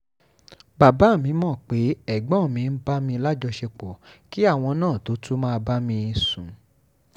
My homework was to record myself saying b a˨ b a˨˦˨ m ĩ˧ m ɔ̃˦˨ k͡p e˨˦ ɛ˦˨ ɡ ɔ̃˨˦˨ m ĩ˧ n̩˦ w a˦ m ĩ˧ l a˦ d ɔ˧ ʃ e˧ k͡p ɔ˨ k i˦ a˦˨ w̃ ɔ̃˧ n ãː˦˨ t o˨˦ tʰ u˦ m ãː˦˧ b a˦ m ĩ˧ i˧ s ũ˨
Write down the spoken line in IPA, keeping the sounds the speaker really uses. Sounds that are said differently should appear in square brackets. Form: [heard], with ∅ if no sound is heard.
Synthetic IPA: b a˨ b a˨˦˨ m ĩ˧ m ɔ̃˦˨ k͡p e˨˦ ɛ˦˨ [ɡ͡b] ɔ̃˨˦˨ m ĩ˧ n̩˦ [b] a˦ m ĩ˧ l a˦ [d͡ʒ] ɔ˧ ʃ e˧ k͡p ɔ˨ k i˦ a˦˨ w̃ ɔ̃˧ n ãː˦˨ t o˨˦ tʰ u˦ m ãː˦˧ b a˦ m ĩ˧ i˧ s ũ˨

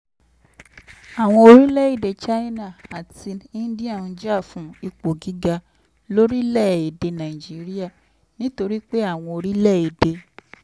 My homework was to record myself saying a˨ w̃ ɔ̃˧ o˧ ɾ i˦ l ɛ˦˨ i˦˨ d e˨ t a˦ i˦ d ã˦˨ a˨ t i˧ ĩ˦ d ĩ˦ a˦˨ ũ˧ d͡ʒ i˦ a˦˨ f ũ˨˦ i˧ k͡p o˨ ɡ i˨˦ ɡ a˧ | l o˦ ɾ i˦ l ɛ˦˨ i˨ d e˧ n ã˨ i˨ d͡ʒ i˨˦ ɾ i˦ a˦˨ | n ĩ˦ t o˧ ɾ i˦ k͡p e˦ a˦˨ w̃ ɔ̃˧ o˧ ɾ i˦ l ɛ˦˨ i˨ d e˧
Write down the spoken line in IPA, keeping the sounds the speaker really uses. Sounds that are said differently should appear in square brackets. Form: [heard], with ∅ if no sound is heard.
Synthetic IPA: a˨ w̃ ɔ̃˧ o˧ ɾ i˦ l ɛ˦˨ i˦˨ d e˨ [t͡ʃ] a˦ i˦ [n] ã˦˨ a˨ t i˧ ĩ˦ d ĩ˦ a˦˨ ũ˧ d͡ʒ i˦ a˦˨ f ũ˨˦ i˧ k͡p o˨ ɡ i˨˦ ɡ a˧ | l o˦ ɾ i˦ l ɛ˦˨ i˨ d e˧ n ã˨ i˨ d͡ʒ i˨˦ ɾ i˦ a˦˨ | n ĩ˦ t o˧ ɾ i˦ k͡p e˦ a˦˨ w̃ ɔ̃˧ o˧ ɾ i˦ l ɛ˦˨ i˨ d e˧

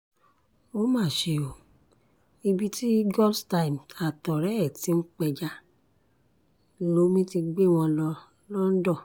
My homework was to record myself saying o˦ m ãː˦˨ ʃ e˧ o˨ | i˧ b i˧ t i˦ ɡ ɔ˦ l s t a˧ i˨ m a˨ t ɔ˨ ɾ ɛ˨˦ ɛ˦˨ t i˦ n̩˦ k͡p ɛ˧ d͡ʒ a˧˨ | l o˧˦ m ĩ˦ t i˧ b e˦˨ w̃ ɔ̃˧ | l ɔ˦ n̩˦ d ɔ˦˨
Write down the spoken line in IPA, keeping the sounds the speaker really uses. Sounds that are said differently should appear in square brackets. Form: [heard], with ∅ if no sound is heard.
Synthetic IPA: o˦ m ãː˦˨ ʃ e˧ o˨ | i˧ b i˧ t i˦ ɡ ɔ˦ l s t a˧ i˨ m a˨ t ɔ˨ ɾ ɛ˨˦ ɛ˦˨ t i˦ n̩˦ k͡p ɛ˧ d͡ʒ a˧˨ | l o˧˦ m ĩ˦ t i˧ [ɡ͡b] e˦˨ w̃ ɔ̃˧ | l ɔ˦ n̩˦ d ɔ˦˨

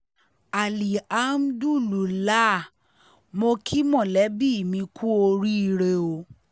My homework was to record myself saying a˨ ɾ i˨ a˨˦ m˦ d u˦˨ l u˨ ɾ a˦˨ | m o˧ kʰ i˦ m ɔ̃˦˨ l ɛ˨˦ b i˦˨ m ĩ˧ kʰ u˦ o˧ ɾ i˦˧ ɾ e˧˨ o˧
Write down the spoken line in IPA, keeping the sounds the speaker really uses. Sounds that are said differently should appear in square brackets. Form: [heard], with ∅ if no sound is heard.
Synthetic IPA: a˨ [l] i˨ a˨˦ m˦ d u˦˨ l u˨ [l] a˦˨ | m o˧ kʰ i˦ m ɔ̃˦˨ l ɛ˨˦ b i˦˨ m ĩ˧ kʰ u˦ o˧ ɾ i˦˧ ɾ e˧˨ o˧

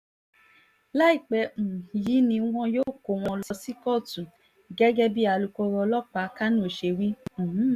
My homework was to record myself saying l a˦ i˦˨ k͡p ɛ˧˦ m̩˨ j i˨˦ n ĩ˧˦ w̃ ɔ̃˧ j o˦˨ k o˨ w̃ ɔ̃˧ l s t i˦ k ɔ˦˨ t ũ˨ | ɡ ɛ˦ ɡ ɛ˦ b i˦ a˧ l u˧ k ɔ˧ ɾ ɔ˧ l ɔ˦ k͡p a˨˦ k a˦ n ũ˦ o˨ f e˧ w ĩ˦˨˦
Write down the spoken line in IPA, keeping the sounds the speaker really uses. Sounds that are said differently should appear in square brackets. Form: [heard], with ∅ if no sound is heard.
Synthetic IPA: l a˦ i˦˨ k͡p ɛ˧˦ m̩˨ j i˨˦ n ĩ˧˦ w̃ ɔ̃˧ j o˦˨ k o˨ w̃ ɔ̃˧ l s [s] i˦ k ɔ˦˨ t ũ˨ | ɡ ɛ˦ ɡ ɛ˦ b i˦ a˧ l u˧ k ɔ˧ ɾ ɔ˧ l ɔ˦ k͡p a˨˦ k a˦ n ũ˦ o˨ [ʃ] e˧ w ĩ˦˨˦

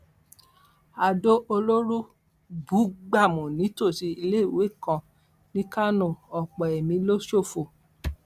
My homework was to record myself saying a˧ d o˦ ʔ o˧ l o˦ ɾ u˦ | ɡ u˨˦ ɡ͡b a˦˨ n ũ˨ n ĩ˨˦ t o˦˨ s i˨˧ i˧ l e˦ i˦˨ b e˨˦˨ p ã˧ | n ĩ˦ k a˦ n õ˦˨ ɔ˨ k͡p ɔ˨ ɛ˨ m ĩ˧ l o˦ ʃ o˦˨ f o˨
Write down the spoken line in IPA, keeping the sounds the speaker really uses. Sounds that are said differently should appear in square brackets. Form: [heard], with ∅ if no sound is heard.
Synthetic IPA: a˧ d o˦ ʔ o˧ l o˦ ɾ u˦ | [b] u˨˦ ɡ͡b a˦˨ [m] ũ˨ n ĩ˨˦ t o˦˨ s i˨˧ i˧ l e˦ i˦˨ [w] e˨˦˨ [k] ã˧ | n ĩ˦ k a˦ n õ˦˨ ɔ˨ k͡p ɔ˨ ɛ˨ m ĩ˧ l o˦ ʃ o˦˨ f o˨

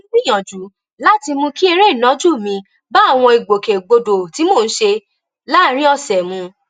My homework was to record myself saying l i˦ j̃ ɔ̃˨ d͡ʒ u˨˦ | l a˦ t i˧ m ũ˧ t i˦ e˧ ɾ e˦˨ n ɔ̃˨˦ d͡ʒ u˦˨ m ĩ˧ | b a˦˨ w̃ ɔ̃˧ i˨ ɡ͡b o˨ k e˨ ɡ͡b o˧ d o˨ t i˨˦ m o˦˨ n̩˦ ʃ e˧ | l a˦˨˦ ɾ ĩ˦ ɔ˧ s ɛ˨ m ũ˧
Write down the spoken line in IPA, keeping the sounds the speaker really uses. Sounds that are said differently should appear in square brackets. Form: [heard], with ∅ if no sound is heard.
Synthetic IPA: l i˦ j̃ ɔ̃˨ d͡ʒ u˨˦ | l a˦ t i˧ m ũ˧ [k] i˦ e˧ ɾ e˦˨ n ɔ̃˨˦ d͡ʒ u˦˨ m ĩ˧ | b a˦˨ w̃ ɔ̃˧ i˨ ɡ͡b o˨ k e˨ ɡ͡b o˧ d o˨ t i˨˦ m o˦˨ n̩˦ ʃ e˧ | l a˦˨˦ ɾ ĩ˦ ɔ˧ s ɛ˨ m ũ˧

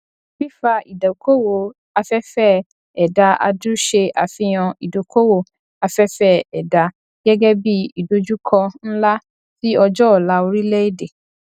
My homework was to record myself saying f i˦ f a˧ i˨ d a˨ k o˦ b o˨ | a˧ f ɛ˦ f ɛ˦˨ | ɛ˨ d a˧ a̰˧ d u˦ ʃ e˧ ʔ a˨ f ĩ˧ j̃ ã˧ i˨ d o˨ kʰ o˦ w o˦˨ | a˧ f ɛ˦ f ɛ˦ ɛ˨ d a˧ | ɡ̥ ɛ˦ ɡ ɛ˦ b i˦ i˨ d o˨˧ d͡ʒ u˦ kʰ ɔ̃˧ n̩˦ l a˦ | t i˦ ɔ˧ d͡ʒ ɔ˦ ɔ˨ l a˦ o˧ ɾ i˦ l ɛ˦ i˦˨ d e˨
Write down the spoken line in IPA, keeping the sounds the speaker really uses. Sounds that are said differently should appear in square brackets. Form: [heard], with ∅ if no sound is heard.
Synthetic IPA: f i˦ f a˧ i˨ d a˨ k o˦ [w] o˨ | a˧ f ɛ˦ f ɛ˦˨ | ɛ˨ d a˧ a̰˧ d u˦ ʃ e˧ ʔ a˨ f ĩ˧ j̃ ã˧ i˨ d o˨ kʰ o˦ w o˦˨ | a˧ f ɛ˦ f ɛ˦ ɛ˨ d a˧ | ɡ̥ ɛ˦ ɡ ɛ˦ b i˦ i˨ d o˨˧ d͡ʒ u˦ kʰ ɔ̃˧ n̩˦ l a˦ | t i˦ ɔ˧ d͡ʒ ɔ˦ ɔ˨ l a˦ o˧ ɾ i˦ l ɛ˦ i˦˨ d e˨

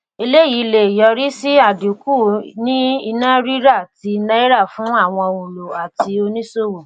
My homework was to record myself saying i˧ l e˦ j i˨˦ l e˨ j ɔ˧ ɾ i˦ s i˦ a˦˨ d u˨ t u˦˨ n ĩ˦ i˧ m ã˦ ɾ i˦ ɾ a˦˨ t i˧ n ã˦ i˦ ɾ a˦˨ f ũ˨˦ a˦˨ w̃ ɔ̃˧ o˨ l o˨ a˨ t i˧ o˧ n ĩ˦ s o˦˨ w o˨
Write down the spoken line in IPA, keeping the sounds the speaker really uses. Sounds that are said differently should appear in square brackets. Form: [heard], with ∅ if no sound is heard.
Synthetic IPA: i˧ l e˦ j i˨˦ l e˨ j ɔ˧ ɾ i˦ s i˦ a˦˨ d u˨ [k] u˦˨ n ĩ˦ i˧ [n] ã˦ ɾ i˦ ɾ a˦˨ t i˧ n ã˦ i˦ ɾ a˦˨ f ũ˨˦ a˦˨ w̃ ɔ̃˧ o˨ l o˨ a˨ t i˧ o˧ n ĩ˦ s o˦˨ w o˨

